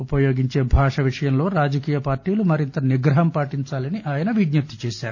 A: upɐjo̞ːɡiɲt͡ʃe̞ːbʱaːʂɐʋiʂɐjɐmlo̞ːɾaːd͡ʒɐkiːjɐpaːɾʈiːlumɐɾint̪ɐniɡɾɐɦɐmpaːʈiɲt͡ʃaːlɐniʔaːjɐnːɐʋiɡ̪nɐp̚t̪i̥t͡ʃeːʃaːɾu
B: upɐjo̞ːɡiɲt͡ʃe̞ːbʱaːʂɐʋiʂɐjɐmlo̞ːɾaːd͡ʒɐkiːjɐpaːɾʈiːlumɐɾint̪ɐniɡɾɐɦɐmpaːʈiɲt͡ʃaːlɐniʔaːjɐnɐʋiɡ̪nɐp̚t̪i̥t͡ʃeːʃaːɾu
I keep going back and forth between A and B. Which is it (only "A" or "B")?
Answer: B